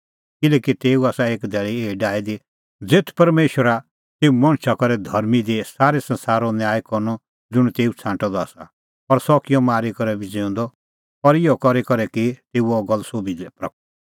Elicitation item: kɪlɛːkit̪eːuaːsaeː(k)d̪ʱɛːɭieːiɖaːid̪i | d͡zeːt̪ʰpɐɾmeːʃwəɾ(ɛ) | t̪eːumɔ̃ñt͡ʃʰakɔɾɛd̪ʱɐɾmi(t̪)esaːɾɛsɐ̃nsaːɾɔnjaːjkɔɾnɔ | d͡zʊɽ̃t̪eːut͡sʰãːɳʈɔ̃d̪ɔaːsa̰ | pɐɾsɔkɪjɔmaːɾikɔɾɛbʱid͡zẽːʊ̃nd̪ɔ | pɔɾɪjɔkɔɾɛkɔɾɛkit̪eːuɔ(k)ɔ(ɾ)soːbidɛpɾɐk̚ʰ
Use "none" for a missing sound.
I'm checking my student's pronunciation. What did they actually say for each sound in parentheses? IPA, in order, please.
k, a, d̪, ɡ, l

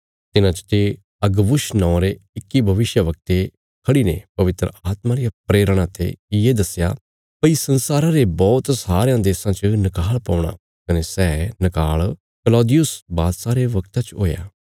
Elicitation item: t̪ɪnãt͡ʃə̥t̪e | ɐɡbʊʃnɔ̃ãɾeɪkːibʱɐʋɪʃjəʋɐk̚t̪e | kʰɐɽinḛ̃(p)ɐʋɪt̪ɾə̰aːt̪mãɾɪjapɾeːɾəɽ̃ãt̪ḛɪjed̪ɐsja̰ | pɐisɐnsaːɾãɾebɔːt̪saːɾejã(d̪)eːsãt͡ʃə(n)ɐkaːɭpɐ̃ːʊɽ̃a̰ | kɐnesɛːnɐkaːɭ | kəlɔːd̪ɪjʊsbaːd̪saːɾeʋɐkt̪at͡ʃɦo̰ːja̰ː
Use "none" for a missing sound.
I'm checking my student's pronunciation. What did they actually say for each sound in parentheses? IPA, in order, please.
p, d̪, n

